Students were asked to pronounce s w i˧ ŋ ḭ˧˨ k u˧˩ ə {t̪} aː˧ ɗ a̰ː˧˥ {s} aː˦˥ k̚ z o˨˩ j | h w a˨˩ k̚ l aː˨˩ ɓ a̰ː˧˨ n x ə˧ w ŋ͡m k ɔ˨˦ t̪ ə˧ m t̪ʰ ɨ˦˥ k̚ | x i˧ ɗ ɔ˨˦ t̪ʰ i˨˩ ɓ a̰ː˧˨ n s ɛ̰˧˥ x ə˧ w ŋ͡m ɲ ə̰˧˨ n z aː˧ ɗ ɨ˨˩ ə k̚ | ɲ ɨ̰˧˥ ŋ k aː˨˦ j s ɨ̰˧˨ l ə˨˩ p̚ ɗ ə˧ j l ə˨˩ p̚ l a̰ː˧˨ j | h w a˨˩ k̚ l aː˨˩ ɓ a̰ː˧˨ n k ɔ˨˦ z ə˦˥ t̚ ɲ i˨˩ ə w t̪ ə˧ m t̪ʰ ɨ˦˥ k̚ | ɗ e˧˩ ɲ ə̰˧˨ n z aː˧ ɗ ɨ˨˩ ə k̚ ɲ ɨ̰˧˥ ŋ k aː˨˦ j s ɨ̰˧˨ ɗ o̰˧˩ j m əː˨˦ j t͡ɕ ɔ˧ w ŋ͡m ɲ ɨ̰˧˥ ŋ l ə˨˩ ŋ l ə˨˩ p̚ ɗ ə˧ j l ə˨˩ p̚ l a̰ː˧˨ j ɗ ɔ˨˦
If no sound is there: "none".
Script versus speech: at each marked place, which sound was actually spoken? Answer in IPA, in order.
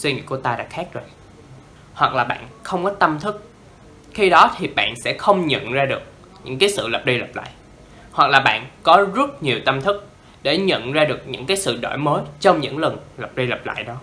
t̪, x

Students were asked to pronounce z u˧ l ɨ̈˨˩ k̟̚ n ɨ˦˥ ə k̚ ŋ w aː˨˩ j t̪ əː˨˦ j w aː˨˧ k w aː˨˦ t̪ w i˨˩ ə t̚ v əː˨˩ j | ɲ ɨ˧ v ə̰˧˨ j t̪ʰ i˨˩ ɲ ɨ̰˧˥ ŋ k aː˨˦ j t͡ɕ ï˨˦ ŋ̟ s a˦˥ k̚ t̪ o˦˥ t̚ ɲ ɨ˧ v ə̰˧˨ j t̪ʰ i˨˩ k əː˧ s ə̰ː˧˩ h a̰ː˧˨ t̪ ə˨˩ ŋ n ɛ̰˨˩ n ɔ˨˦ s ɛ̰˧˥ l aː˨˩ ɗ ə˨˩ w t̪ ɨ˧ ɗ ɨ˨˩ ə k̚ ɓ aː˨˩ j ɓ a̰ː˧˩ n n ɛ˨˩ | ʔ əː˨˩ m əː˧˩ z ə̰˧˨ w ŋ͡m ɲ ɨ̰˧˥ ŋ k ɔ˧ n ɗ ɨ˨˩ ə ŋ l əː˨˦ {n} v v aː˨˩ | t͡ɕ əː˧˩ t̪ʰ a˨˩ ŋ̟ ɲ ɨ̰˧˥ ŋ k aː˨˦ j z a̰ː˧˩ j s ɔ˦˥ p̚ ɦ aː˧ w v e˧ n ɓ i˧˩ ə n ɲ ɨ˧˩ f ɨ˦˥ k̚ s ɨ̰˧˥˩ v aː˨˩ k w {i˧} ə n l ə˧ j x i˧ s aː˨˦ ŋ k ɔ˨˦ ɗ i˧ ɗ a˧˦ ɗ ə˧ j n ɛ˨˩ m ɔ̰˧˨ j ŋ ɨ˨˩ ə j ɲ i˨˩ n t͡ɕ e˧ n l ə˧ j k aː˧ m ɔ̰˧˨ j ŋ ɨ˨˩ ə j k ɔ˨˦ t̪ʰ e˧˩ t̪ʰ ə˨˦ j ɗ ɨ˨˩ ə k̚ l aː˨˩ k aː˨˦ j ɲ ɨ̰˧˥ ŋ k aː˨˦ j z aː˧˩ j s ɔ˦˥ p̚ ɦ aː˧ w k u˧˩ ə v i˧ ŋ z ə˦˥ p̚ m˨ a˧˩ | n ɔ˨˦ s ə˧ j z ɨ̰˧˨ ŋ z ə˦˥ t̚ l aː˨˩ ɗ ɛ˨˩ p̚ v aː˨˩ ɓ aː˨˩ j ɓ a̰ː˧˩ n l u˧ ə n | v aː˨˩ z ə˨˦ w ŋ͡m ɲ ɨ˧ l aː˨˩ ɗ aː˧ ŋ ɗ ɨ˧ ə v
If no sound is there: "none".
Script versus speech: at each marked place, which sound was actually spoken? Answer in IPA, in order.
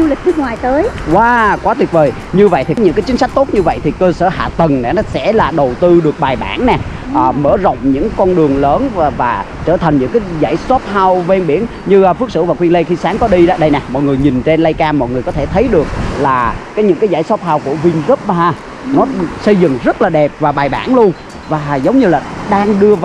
n, i˧

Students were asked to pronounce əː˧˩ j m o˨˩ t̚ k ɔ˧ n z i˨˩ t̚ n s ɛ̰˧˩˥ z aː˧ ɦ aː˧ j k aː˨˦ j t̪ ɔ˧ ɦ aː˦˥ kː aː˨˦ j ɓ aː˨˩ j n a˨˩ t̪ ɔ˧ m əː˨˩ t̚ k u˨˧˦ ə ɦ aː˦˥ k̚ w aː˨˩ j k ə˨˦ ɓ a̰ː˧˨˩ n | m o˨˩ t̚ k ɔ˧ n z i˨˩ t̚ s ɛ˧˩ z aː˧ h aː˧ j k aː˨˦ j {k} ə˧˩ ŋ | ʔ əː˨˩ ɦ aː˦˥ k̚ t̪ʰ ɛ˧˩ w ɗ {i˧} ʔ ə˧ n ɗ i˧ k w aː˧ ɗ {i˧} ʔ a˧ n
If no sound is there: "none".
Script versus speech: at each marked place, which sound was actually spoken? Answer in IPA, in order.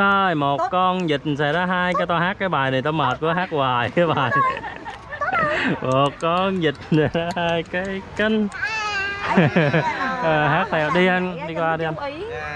k, i˧, i˧

